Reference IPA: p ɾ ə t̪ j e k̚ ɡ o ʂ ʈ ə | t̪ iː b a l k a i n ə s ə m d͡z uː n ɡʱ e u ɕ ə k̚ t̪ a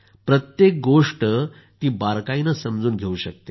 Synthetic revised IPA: p ɾ ə t̪ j e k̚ ɡ o ʂ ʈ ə | t̪ iː b a ɾ k a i n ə s ə m d͡z uː n ɡʱ e u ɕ ə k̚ t̪ e